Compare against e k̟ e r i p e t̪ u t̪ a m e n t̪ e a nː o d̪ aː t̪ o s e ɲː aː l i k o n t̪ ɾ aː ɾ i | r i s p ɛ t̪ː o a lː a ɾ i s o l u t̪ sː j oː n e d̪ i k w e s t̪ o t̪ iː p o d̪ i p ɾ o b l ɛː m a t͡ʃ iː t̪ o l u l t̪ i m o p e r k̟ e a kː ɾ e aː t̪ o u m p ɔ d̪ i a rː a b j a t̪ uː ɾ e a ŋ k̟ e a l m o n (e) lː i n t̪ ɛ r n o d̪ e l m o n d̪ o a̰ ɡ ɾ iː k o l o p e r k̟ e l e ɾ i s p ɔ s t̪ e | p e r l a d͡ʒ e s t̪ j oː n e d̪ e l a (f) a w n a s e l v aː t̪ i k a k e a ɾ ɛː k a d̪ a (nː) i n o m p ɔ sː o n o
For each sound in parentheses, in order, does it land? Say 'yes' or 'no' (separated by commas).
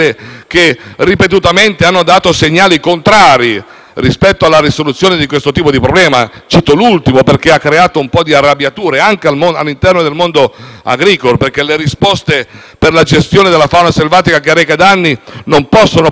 no, yes, yes